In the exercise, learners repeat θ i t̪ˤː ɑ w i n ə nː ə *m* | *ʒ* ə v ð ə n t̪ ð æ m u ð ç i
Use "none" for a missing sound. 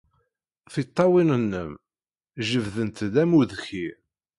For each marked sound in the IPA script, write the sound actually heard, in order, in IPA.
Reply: m, ʒ

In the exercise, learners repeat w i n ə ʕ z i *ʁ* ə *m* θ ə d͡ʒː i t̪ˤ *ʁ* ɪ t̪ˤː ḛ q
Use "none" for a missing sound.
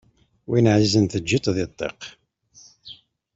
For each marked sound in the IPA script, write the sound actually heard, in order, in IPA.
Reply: z, n, ð

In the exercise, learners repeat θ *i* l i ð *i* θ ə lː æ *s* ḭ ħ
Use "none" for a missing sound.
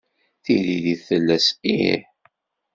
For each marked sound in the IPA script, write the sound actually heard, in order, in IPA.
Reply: i, i, s

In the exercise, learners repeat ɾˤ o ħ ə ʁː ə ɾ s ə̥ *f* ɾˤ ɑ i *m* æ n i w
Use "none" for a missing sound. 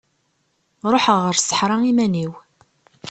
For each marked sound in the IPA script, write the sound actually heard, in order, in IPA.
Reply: ħ, m

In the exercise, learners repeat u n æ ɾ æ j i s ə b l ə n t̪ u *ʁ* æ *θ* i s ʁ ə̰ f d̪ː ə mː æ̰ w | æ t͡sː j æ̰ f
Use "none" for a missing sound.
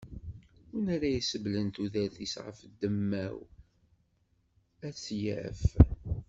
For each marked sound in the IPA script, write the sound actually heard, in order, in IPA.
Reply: ð, θ

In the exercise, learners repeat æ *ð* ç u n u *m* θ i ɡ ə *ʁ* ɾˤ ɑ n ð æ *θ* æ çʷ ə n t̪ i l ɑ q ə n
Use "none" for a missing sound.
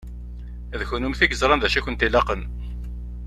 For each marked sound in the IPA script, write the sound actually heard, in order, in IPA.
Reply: ð, m, z, ʃ

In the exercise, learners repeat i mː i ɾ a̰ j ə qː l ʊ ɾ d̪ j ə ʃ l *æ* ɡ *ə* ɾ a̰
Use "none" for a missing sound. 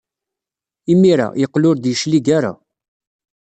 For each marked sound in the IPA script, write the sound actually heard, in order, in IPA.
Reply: i, a

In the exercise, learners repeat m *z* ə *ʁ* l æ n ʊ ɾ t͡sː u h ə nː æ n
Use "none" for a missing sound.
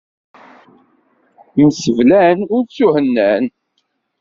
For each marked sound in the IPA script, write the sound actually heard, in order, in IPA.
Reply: s, v

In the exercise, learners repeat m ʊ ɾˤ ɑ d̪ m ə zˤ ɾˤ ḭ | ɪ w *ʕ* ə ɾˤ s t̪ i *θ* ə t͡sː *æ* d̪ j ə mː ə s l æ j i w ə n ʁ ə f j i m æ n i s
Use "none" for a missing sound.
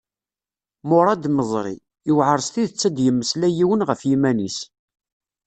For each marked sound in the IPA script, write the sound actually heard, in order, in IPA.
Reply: ʕ, ð, æ

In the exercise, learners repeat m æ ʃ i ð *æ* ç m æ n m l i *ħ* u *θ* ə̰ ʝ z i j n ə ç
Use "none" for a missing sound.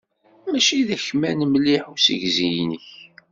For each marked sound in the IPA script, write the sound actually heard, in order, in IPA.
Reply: æ, ħ, s

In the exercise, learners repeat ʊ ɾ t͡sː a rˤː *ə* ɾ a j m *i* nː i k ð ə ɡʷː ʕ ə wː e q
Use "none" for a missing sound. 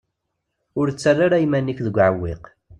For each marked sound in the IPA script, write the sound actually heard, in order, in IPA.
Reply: a, æ

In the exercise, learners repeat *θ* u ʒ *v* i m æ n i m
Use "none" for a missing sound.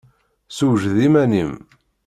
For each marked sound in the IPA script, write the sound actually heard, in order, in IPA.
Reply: s, ð

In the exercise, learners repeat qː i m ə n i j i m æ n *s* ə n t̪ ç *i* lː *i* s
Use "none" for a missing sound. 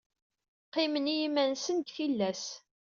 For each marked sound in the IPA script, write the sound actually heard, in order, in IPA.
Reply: s, i, æ

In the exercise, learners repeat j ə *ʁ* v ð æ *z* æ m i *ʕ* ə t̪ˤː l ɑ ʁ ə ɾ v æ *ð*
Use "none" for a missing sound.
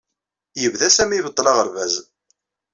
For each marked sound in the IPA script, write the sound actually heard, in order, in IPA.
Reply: none, s, v, z

